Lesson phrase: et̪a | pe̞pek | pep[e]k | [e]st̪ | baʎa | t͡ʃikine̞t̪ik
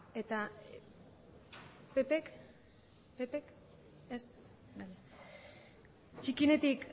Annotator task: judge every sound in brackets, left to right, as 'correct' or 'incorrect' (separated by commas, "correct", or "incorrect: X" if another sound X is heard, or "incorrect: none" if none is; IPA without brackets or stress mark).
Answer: correct, correct